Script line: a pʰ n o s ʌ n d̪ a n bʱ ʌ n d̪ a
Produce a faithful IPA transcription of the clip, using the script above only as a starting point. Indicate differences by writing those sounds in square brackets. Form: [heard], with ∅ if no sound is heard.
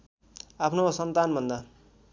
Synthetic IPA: a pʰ n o s ʌ n [t̪] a n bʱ ʌ n d̪ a